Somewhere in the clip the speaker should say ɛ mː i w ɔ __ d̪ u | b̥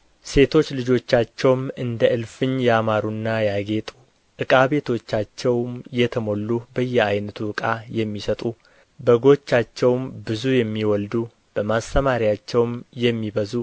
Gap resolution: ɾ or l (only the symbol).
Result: l